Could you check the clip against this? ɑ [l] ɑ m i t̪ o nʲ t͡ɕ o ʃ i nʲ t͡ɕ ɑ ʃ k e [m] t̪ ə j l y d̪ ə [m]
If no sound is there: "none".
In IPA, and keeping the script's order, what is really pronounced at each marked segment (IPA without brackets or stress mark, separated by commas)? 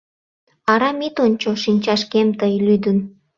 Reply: ɾ, m, n